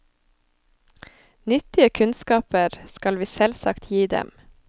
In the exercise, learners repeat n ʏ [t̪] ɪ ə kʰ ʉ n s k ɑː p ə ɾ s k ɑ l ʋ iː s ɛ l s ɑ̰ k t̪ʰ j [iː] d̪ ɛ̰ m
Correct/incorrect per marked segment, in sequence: correct, correct

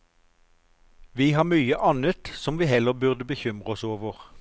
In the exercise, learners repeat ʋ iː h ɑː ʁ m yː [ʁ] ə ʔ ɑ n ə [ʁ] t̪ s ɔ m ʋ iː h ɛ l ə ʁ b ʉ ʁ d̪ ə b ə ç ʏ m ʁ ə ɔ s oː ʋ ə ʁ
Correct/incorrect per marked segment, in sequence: incorrect, incorrect

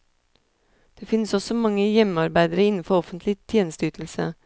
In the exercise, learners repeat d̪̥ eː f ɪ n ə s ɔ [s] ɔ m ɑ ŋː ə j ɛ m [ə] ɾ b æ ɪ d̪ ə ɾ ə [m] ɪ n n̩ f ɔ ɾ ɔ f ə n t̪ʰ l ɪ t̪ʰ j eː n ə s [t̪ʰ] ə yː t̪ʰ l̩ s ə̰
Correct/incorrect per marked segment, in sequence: correct, incorrect, incorrect, incorrect

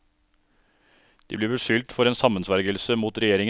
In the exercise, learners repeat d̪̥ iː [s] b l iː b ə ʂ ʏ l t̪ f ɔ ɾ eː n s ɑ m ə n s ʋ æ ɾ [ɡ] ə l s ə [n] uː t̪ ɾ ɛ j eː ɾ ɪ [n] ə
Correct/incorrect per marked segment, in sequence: incorrect, correct, incorrect, incorrect

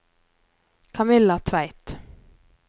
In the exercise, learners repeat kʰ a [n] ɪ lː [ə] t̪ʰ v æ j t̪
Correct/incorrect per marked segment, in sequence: incorrect, incorrect

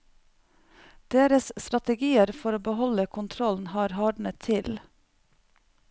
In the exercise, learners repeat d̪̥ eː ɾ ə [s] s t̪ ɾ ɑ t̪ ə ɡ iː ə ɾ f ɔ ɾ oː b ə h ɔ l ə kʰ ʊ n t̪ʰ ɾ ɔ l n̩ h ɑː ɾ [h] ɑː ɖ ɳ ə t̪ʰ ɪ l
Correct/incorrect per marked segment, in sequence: correct, correct

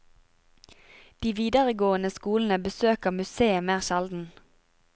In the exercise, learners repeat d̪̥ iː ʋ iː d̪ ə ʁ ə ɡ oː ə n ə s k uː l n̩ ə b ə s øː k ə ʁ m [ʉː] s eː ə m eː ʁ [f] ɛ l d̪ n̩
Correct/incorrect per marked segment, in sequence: incorrect, incorrect

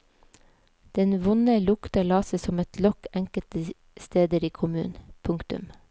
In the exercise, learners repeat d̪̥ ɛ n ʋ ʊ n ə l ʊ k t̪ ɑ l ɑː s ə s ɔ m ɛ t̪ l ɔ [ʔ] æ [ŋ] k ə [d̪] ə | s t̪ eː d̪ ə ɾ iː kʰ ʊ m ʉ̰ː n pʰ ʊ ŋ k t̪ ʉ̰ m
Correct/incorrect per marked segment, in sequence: incorrect, correct, incorrect

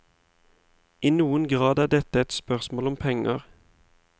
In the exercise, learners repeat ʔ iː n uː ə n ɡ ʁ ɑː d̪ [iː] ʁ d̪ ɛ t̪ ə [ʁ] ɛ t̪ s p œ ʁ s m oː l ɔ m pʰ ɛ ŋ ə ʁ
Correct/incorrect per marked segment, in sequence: incorrect, incorrect

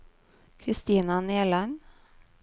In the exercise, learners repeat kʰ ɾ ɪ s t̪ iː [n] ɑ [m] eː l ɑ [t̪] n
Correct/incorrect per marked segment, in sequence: correct, incorrect, incorrect

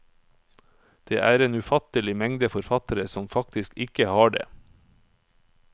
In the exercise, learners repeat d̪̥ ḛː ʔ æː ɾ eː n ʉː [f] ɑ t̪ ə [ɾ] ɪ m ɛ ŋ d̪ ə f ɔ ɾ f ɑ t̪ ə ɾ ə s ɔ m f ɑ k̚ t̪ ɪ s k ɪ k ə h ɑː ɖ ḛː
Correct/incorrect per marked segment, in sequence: correct, incorrect

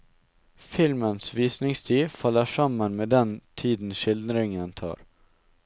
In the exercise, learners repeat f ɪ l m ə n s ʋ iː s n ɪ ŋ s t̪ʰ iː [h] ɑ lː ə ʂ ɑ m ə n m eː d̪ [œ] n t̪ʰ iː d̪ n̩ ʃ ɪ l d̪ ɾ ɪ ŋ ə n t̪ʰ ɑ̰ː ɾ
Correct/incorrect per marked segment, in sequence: incorrect, incorrect

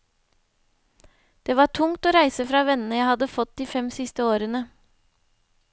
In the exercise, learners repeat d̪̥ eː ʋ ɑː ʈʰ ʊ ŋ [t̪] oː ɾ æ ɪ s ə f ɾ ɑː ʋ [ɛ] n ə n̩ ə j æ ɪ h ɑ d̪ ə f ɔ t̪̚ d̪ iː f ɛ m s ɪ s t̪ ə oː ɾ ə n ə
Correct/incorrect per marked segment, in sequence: correct, correct

